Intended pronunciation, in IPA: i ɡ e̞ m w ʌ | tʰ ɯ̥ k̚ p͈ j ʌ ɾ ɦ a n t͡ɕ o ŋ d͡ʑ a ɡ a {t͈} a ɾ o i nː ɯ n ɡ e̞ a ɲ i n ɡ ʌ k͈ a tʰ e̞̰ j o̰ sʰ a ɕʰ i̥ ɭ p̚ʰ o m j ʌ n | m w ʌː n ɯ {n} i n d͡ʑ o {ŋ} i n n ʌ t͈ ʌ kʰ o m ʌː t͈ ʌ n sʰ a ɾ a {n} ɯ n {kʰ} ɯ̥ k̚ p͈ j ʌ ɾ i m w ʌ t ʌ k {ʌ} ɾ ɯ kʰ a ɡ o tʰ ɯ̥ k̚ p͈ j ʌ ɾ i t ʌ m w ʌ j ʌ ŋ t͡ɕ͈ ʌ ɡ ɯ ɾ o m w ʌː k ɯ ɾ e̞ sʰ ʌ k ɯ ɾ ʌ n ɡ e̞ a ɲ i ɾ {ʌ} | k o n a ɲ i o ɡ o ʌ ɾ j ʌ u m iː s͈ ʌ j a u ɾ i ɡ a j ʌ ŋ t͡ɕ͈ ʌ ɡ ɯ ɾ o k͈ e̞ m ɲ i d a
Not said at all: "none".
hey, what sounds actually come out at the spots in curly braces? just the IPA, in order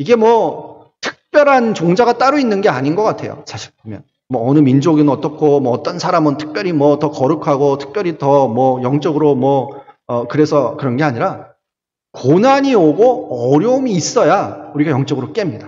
t͈, m, ɡ, m, tʰ, ʌ, a

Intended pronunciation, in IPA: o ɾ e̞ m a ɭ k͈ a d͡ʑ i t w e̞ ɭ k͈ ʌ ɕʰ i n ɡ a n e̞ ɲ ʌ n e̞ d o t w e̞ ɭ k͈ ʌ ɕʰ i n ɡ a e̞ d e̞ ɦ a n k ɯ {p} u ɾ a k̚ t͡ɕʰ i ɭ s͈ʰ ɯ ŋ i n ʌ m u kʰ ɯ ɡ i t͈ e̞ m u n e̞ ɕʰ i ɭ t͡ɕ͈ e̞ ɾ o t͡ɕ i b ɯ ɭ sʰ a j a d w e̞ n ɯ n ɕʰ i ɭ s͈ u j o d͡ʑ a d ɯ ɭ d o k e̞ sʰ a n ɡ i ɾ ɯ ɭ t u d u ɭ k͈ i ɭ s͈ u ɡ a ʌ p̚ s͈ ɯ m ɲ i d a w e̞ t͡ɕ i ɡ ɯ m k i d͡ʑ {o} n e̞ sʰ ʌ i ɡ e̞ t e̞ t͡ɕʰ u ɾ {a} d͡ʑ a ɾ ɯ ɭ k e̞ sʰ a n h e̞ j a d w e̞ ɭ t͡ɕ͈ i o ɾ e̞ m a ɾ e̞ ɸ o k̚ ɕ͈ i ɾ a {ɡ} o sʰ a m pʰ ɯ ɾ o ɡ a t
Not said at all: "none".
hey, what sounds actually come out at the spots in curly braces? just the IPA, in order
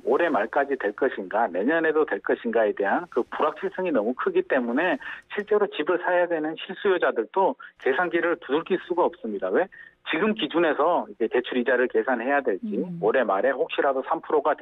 p, u, i, d

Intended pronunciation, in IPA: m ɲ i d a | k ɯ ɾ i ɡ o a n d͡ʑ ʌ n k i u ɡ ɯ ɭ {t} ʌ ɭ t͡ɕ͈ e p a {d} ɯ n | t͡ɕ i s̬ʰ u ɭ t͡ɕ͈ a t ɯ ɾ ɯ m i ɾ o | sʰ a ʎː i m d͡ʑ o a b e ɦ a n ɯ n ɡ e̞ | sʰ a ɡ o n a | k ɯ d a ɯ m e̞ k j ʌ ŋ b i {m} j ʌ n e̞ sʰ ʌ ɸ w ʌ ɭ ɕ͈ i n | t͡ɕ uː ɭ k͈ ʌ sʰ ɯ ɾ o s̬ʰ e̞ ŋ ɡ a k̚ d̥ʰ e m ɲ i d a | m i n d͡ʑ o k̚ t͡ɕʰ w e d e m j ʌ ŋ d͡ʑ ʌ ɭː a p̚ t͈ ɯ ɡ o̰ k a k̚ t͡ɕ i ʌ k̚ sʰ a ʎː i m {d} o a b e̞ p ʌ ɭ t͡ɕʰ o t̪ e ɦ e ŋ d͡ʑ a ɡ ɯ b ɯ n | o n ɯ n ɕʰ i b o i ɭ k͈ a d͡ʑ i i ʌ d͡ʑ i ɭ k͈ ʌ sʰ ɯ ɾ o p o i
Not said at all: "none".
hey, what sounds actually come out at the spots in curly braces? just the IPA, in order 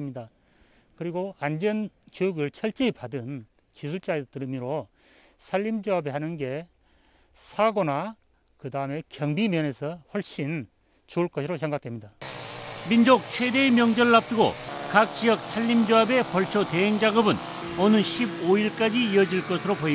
t͡ɕʰ, d, m, d͡ʑ

